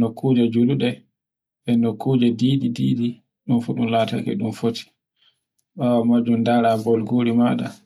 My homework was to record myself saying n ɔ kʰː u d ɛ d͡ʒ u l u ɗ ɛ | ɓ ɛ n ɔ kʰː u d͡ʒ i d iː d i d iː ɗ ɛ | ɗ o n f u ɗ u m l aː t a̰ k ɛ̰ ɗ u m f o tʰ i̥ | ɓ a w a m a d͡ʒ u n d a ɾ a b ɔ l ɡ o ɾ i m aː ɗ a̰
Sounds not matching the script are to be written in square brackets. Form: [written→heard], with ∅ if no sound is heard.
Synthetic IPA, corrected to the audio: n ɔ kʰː u [d→d͡ʒ] ɛ d͡ʒ u l u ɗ ɛ | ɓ ɛ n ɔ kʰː u d͡ʒ [i→ɛ] d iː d i d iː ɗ [ɛ→i] | ɗ [o→u] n f u ɗ u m l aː t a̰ k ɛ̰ ɗ u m f o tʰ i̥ | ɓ a w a m a d͡ʒ u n d a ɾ a b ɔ l ɡ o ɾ i m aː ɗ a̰